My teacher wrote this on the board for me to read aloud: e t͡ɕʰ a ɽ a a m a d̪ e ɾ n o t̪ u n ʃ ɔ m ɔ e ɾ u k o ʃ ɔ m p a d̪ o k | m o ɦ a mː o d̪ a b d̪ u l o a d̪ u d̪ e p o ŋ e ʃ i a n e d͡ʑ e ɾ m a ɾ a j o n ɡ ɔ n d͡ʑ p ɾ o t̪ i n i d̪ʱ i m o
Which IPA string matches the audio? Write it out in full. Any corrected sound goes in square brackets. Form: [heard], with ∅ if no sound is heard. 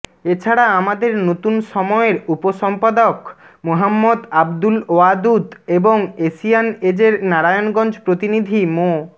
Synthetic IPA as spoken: e t͡ɕʰ a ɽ a a m a d̪ e ɾ n o t̪ u n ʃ ɔ m ɔ e ɾ u [p] o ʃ ɔ m p a d̪ o k | m o ɦ a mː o d̪ a b d̪ u l o a d̪ u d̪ e [b] o ŋ e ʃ i a n e d͡ʑ e ɾ [n] a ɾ a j o n ɡ ɔ n d͡ʑ p ɾ o t̪ i n i d̪ʱ i m o